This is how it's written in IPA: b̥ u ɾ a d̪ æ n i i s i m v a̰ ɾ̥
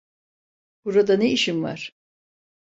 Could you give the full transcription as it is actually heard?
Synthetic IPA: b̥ u ɾ a d̪ a n e i ʃ i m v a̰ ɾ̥